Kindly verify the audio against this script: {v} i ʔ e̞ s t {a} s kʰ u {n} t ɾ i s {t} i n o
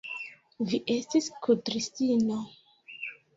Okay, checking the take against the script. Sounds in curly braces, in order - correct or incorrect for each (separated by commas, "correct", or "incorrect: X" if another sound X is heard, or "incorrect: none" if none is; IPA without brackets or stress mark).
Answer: correct, incorrect: i, incorrect: none, correct